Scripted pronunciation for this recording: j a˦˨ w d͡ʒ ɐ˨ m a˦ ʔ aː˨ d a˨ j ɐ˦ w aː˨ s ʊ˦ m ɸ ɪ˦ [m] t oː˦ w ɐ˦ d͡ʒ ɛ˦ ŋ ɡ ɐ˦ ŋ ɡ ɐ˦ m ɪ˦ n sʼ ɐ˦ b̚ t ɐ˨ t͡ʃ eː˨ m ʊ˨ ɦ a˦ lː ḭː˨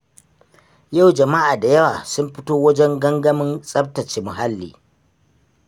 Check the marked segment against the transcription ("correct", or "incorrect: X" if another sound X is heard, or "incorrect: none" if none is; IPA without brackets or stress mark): incorrect: none